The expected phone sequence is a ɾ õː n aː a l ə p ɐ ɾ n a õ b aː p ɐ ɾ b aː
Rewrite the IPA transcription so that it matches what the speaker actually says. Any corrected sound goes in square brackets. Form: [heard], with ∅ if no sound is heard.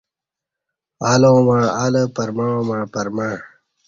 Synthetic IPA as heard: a [l] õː [m] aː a l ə p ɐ ɾ [m] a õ [m] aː p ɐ ɾ [m] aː